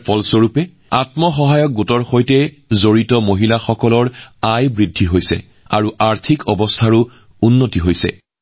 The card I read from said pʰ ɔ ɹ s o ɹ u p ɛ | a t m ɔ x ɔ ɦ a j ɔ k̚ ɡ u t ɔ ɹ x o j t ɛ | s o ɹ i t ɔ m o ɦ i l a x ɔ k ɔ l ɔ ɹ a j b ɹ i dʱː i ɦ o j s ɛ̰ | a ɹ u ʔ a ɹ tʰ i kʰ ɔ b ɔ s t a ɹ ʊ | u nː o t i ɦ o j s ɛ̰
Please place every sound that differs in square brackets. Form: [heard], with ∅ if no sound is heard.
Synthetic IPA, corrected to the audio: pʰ ɔ [l] s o ɹ u p ɛ | a t m ɔ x ɔ ɦ a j ɔ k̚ ɡ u t ɔ ɹ x o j t ɛ | [z] o ɹ i t ɔ m o ɦ i l a x ɔ k ɔ l ɔ ɹ a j b ɹ i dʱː i ɦ o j s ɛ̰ | a ɹ u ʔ a ɹ tʰ i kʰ ɔ b ɔ s [tʰ] a ɹ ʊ | u nː o t i ɦ o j s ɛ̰